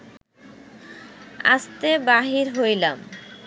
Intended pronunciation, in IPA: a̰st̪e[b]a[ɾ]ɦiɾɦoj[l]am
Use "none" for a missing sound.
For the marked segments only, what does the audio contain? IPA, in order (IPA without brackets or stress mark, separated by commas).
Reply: b, none, l